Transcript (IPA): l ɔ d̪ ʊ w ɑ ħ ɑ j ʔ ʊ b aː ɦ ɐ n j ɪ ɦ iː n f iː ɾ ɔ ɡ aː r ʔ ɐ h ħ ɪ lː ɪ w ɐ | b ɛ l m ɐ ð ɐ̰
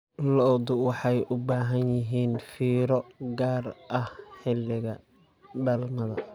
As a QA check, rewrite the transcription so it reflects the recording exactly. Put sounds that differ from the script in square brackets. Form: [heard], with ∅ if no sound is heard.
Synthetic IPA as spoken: l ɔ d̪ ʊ w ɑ ħ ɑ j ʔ ʊ b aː ɦ ɐ n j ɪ ɦ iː n f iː ɾ ɔ ɡ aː r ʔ ɐ h ħ ɪ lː ɪ [ɣ] ɐ | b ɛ l m ɐ ð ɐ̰